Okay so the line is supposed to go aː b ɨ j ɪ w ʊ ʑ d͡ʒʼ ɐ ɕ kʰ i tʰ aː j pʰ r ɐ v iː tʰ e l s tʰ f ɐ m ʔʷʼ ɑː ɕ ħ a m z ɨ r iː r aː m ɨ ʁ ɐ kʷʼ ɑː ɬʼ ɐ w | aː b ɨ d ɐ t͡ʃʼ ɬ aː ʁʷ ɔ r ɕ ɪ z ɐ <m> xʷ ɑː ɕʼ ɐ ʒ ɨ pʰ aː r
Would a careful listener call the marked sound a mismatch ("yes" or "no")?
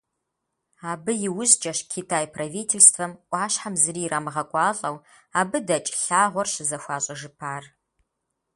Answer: yes